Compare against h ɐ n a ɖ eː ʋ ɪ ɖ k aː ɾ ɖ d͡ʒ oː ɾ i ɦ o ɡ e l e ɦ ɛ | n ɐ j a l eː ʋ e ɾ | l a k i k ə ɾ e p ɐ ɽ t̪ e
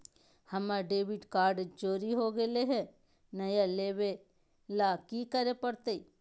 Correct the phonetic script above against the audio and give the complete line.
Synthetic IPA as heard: h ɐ m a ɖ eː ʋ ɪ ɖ k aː ɾ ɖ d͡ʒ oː ɾ i ɦ o ɡ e l e ɦ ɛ | n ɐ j a l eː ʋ e | l a k i k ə ɾ e p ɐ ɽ t̪ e